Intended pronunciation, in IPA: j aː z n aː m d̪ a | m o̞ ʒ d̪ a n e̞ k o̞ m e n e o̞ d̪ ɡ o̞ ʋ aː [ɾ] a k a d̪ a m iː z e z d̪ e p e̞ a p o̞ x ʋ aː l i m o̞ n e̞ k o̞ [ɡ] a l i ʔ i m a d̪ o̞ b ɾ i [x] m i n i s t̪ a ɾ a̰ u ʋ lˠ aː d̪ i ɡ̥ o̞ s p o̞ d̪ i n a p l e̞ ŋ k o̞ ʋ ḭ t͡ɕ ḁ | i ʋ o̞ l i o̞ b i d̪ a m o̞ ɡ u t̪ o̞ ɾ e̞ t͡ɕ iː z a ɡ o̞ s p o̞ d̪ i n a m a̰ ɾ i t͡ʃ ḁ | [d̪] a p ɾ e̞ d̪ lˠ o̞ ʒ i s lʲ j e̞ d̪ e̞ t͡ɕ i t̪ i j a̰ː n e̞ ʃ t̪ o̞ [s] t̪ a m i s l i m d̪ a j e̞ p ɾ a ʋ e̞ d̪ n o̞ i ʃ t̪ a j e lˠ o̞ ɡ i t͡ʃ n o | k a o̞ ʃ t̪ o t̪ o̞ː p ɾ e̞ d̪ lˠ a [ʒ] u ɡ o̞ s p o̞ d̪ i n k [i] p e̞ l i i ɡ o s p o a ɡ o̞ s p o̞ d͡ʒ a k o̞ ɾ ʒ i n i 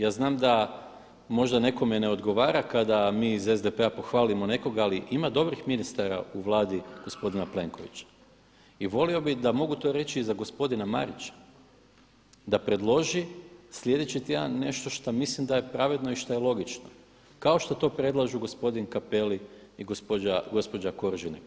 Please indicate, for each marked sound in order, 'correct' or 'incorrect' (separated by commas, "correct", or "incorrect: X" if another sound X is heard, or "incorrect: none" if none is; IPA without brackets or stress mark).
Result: correct, correct, correct, correct, incorrect: ʃ, correct, incorrect: a